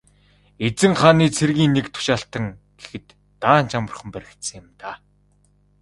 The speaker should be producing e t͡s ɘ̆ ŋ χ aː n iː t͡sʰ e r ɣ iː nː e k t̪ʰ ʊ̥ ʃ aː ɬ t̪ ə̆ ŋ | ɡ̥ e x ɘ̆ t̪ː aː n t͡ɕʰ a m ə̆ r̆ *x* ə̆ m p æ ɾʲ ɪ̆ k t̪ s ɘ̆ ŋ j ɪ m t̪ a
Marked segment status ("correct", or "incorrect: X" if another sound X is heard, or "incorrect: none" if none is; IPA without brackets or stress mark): incorrect: χ